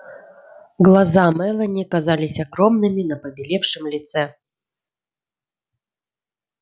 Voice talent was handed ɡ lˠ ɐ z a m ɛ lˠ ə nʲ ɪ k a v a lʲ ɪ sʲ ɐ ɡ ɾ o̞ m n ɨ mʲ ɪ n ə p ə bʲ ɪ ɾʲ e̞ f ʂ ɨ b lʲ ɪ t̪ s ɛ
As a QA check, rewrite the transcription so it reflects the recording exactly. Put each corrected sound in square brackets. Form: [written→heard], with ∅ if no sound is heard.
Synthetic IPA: ɡ lˠ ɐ z a m ɛ lˠ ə nʲ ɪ k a [v→z] a lʲ ɪ sʲ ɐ ɡ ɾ o̞ m n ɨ mʲ ɪ n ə p ə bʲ ɪ [ɾʲ→lʲ] e̞ f ʂ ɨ [b→m] lʲ ɪ t̪ s ɛ